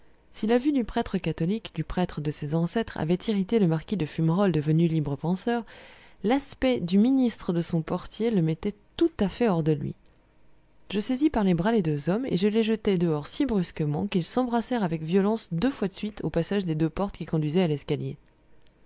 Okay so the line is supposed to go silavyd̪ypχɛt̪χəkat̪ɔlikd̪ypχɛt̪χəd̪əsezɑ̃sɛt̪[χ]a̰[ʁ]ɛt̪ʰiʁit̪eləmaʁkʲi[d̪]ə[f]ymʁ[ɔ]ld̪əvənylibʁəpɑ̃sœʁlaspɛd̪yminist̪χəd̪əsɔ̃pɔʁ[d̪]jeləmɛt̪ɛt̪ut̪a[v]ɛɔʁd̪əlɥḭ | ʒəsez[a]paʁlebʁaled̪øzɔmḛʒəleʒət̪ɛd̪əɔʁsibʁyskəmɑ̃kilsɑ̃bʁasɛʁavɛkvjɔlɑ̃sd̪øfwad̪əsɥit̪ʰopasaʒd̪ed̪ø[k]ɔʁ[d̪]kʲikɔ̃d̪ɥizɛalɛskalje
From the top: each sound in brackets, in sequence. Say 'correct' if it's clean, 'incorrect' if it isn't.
correct, incorrect: v, correct, correct, correct, incorrect: t̪, incorrect: f, incorrect: i, incorrect: p, incorrect: t̪

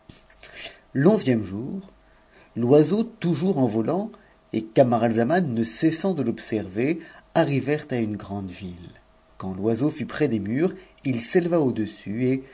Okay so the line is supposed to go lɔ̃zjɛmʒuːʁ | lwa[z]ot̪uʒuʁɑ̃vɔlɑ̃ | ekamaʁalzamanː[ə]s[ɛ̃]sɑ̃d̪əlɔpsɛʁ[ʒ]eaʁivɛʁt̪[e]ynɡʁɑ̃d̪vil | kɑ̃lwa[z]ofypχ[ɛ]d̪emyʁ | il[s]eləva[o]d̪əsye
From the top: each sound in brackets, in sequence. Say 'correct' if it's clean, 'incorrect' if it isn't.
correct, correct, incorrect: ɛ, incorrect: v, incorrect: a, correct, correct, correct, correct

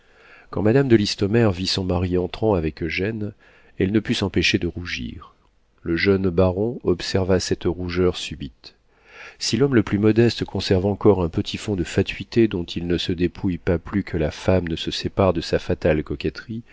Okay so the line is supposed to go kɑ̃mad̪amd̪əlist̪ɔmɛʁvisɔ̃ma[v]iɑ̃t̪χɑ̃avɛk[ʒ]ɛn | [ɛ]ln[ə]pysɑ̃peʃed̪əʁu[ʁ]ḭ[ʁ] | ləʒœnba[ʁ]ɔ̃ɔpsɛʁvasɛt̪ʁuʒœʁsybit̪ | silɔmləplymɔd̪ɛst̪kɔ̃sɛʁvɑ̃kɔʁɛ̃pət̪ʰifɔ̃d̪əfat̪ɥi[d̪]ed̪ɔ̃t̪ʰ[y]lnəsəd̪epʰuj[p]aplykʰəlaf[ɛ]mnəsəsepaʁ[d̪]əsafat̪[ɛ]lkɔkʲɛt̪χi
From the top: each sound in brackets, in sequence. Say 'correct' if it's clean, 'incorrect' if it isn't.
incorrect: ʁ, correct, correct, correct, incorrect: ʒ, correct, correct, incorrect: t̪, incorrect: i, correct, incorrect: a, correct, incorrect: a

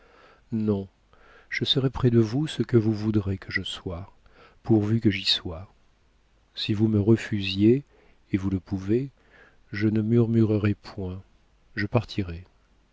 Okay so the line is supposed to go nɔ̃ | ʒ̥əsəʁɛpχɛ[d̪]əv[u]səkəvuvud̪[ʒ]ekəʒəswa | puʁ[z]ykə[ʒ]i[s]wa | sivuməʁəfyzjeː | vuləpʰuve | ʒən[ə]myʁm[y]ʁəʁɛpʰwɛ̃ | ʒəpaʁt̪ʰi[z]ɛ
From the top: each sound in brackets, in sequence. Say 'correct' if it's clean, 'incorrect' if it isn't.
correct, correct, incorrect: ʁ, incorrect: v, correct, correct, correct, correct, incorrect: ʁ

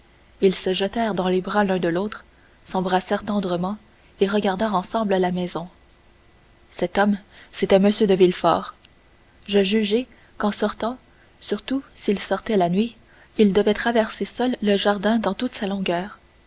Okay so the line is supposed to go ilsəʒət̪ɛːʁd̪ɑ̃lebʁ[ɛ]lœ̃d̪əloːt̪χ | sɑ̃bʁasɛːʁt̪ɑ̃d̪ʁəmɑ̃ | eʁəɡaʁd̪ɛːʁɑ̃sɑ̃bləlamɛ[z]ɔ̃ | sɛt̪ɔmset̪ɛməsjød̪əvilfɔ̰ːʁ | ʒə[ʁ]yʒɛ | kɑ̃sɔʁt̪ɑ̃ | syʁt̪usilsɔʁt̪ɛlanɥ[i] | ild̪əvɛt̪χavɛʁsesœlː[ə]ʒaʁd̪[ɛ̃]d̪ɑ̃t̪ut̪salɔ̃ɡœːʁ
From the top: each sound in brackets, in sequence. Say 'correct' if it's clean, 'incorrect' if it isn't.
incorrect: a, correct, incorrect: ʒ, correct, correct, correct

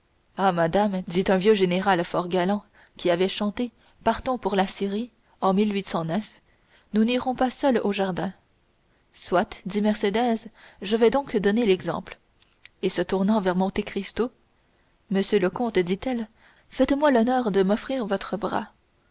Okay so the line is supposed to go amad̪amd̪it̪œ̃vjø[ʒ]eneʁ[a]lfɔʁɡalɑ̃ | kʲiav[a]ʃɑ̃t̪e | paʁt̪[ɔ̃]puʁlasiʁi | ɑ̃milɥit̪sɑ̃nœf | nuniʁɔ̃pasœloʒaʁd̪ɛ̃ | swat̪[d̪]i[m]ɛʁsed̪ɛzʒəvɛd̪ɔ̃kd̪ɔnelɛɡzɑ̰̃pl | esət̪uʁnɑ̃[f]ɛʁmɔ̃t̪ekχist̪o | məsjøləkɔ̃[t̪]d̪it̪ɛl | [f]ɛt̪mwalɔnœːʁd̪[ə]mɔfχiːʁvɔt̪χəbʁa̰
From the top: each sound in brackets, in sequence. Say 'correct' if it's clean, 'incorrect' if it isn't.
correct, correct, incorrect: ɛ, correct, correct, correct, incorrect: v, correct, correct, correct

